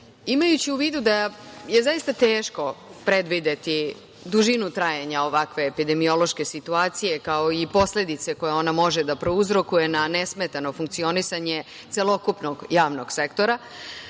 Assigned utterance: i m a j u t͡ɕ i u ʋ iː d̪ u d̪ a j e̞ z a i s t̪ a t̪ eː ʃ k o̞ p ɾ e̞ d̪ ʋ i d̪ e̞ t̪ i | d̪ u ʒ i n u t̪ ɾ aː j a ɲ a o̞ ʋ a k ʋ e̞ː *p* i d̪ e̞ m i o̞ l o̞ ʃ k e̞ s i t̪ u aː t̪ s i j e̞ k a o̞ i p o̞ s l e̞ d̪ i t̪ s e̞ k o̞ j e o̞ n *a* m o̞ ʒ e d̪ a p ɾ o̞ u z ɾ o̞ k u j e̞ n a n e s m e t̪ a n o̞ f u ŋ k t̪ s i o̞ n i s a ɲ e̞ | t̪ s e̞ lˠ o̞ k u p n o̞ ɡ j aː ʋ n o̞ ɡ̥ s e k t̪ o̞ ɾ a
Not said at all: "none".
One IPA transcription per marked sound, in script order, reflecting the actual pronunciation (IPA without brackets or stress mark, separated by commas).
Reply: p, a